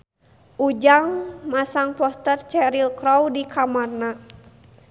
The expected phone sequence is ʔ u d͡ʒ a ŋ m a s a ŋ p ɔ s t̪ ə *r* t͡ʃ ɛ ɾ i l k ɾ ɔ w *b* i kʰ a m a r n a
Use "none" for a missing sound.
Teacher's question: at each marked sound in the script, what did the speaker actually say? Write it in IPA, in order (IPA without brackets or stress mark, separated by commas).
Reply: r, d